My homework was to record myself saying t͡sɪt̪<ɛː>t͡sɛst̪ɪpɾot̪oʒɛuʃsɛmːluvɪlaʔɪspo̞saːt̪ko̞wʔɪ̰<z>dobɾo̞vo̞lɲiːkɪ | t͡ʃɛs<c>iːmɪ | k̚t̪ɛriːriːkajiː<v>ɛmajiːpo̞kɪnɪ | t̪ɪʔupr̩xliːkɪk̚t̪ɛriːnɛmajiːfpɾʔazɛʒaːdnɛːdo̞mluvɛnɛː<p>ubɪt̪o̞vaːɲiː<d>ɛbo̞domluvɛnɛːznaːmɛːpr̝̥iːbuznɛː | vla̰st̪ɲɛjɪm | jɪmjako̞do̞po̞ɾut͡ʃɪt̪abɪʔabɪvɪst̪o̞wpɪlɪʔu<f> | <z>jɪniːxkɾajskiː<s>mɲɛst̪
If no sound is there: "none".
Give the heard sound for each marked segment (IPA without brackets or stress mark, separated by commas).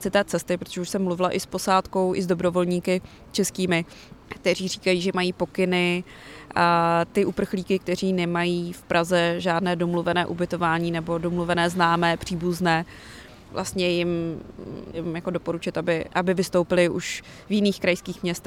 ɛː, z, k, ʒ, ʔ, n, ʃ, v, x